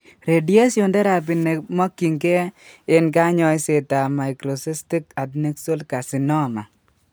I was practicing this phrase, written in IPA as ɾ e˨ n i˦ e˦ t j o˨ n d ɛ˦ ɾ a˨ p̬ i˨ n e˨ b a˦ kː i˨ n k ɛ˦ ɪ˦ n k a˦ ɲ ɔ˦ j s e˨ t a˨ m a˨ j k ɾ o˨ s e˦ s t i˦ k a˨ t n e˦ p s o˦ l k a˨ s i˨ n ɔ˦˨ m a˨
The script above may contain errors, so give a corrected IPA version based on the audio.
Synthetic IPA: ɾ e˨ d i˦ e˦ s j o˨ n d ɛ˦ ɾ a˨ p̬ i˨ n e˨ m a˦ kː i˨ ŋ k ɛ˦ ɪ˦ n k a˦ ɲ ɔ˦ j s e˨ t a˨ m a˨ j k ɾ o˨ s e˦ s t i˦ k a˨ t n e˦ k s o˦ l k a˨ s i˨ n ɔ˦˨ m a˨